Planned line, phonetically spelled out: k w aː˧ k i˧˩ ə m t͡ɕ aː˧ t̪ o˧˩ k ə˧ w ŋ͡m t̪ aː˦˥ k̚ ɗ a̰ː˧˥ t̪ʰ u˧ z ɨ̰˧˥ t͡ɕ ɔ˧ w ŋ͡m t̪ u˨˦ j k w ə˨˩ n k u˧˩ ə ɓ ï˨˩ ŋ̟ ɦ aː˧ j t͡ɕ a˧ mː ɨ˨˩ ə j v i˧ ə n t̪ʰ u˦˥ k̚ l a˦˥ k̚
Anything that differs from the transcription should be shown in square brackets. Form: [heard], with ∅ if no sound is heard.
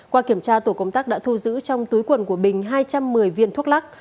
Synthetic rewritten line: k w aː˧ k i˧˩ ə m t͡ɕ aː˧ t̪ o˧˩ k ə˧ w ŋ͡m t̪ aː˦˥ k̚ ɗ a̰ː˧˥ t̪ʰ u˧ z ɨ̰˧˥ t͡ɕ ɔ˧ w ŋ͡m t̪ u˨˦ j k w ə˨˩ n k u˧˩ ə ɓ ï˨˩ ŋ̟ ɦ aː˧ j t͡ɕ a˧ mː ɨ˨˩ ə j v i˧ ə n t̪ʰ u˦˥ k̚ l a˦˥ k̚